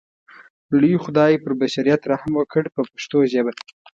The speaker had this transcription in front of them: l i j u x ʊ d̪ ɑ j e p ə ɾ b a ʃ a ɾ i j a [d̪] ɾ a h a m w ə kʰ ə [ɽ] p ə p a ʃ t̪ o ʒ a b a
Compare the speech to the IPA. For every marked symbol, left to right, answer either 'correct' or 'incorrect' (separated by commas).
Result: incorrect, correct